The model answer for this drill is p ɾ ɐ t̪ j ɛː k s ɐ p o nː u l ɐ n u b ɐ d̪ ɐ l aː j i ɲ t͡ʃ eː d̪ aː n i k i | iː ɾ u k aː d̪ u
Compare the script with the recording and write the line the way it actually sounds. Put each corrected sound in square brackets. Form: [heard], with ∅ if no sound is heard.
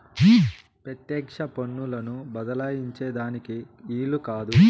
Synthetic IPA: p ɾ ɐ t̪ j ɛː k [ʂ] ɐ p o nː u l ɐ n u b ɐ d̪ ɐ l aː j i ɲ t͡ʃ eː d̪ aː n i k i | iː [l] u k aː d̪ u